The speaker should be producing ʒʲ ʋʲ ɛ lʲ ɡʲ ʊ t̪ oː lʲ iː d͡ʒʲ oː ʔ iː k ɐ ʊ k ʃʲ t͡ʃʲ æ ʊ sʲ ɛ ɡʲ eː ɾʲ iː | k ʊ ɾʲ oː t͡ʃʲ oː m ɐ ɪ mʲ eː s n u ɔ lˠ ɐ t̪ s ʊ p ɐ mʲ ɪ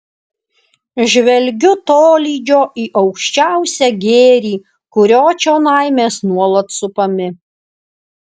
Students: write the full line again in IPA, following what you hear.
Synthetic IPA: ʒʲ ʋʲ ɛ lʲ ɡʲ ʊ t̪ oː lʲ iː d͡ʒʲ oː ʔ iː ʔ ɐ ʊ k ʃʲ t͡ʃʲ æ ʊ sʲ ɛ ɡʲ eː ɾʲ iː | k ʊ ɾʲ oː t͡ʃʲ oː n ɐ ɪ mʲ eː s n u ɔ lˠ ɐ t̪ s ʊ p ɐ mʲ ɪ